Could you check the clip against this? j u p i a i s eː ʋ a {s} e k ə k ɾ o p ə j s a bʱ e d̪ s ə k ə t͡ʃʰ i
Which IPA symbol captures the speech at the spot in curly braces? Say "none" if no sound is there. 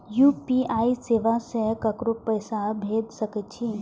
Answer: s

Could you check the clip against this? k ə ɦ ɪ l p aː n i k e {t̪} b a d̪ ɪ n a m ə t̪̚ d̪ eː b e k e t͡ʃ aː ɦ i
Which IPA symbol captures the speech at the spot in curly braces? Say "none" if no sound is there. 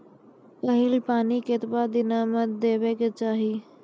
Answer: t̪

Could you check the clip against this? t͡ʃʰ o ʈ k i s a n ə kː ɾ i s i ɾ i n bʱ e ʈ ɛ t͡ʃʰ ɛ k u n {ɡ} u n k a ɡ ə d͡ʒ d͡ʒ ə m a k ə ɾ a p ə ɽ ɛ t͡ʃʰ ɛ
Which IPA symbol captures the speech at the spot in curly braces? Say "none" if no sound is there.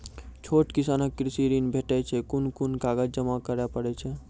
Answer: k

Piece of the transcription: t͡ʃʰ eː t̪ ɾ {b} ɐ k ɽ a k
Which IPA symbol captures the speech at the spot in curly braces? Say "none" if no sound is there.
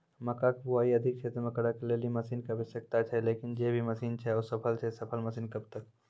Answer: m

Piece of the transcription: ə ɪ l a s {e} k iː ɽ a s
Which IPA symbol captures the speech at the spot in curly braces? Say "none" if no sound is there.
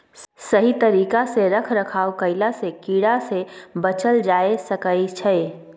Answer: e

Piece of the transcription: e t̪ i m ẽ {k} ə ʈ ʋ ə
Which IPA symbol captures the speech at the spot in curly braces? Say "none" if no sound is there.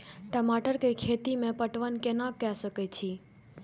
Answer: p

